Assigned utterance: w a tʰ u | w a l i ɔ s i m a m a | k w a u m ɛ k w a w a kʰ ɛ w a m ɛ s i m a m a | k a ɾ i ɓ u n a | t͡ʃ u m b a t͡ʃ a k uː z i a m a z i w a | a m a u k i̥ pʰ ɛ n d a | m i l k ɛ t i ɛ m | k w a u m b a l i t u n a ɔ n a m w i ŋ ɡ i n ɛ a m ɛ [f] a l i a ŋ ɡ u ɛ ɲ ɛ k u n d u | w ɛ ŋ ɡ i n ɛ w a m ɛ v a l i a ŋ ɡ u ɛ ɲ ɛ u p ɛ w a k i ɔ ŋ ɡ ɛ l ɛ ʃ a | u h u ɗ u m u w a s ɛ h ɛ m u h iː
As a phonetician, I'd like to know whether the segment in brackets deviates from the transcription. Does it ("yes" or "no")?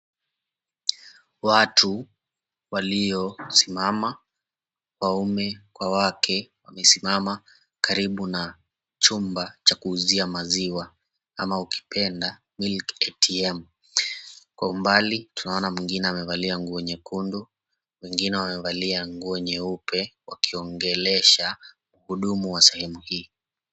yes